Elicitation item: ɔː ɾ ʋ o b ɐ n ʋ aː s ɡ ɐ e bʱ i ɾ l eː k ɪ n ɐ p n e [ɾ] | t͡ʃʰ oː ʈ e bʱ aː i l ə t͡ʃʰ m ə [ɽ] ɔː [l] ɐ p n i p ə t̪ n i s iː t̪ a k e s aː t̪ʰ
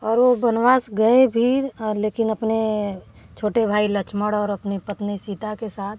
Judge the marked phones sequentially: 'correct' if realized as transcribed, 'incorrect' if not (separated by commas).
incorrect, correct, incorrect